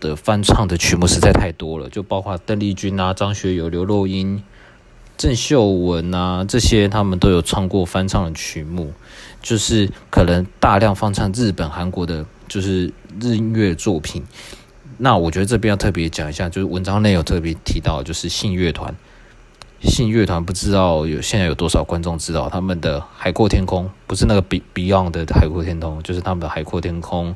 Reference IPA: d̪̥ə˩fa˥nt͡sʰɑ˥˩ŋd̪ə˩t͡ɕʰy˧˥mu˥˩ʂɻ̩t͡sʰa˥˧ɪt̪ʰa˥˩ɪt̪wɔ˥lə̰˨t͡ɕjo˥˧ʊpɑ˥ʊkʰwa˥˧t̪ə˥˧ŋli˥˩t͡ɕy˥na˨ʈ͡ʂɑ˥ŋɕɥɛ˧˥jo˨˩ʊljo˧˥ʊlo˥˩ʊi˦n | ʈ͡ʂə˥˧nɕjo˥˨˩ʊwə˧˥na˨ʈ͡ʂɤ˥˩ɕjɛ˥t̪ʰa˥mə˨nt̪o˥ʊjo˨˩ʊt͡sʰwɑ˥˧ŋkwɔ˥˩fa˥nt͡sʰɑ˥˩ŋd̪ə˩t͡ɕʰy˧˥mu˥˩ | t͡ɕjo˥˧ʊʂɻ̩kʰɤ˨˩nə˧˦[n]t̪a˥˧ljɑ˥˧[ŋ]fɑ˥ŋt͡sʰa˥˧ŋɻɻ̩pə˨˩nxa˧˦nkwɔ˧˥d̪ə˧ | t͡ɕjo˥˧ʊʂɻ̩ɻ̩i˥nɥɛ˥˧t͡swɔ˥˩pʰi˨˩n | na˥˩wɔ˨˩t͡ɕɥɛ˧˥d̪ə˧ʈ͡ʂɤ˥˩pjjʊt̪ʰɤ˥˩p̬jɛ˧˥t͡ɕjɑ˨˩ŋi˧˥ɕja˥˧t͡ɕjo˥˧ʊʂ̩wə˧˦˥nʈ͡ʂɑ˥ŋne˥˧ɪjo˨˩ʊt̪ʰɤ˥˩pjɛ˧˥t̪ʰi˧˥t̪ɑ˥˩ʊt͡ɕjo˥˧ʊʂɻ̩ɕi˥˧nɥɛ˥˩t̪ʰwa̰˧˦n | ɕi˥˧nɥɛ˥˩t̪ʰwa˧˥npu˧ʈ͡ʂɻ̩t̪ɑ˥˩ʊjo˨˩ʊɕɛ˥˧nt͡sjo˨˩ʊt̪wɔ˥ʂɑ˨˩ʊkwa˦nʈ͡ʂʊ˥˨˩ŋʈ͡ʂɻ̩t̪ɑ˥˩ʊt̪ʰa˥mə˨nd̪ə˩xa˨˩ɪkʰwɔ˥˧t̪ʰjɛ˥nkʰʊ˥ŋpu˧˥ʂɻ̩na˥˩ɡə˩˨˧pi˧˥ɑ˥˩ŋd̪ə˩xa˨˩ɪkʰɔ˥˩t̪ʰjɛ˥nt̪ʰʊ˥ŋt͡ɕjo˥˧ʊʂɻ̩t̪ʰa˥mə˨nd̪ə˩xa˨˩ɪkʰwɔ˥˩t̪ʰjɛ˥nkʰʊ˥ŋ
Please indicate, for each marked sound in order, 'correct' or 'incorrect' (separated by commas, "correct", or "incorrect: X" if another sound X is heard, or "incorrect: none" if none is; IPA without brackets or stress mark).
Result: incorrect: ŋ, correct